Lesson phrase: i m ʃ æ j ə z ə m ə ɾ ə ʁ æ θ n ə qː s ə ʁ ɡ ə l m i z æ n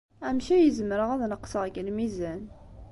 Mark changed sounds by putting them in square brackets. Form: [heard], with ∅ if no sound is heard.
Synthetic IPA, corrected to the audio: [æ] m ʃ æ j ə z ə m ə ɾ ə ʁ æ [ð] n ə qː s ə ʁ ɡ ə l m i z æ n